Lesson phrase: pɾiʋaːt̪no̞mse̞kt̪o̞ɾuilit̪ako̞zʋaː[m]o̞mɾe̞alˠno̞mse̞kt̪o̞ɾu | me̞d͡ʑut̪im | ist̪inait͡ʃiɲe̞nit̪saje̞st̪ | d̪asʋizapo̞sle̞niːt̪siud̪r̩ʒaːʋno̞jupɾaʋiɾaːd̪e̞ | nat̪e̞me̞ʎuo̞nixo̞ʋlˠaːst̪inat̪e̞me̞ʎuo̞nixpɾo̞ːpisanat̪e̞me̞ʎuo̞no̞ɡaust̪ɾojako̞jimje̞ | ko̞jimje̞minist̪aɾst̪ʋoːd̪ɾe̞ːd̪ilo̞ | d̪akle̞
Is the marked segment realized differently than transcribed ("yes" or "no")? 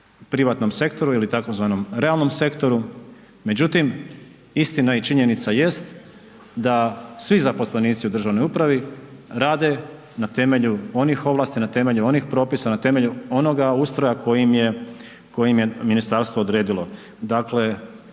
yes